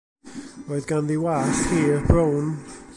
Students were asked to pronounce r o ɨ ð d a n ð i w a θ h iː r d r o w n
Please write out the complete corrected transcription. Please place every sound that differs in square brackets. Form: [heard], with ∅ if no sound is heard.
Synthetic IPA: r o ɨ ð [ɡ] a n ð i w a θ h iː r [b] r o w n